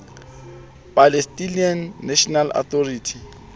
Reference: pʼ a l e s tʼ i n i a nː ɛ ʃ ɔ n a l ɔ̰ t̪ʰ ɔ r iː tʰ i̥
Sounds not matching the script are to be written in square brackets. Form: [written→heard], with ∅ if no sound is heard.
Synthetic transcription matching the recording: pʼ a l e s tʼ i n i a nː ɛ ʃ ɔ n a l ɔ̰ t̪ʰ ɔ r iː tʰ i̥